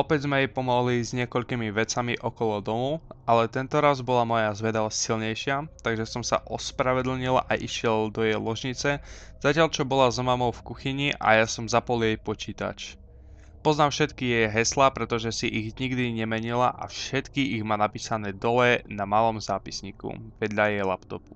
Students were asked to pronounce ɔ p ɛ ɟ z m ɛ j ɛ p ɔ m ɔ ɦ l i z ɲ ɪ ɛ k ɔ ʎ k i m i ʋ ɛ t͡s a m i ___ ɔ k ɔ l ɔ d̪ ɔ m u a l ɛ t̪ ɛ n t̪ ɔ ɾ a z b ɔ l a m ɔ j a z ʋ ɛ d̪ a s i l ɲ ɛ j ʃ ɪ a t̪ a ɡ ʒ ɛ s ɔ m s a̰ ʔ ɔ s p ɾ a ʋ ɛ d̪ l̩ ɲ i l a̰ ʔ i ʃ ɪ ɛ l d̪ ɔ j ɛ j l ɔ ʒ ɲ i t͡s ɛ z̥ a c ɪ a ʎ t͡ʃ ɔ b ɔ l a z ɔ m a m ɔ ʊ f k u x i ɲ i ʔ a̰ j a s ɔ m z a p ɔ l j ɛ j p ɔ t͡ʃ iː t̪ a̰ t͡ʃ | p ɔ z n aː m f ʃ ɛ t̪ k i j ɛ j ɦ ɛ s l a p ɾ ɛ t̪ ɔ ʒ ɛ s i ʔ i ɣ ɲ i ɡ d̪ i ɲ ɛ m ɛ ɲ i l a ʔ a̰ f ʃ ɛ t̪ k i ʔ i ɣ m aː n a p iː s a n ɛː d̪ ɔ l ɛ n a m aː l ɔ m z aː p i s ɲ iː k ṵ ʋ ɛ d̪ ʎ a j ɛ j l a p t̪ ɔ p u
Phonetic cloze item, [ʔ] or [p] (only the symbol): ʔ